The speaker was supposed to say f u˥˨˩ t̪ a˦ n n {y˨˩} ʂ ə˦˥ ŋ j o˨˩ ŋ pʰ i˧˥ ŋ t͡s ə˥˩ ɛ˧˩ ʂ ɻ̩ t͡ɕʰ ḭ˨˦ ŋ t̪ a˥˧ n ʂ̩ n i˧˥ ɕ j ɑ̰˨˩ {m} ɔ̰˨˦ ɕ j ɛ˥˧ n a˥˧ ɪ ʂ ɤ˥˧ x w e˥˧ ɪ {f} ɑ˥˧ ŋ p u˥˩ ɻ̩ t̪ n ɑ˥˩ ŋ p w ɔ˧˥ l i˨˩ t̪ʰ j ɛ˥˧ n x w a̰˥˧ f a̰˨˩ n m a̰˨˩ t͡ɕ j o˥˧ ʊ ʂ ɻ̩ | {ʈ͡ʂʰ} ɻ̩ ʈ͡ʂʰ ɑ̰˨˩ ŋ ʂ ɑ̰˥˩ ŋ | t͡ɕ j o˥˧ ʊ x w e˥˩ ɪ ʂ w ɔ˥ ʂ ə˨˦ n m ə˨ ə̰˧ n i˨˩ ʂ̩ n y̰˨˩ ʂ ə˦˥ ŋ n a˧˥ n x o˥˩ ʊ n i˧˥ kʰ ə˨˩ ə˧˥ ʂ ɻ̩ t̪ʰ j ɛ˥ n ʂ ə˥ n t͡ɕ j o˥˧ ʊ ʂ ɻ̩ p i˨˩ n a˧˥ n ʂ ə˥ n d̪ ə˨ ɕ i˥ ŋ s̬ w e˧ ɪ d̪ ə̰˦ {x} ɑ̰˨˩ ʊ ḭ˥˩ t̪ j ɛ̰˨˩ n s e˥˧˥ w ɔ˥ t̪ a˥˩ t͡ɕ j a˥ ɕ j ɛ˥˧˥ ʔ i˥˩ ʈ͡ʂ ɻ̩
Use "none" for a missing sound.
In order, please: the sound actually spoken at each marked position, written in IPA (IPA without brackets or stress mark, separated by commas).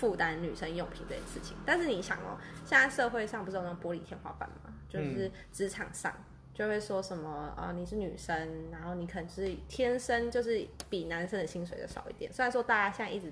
y˨˩, ŋ, ʂ, ʈ͡ʂ, ʂ